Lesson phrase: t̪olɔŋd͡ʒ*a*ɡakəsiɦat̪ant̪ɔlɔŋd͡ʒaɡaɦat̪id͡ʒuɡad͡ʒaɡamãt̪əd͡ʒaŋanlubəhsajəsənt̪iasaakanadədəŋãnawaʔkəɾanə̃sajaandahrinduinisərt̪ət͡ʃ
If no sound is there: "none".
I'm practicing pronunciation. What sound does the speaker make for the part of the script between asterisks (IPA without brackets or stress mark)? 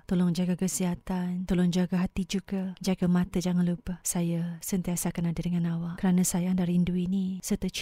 a